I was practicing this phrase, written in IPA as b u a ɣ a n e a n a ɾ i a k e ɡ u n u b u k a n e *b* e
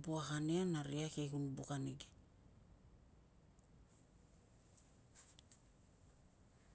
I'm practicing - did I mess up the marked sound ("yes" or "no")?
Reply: yes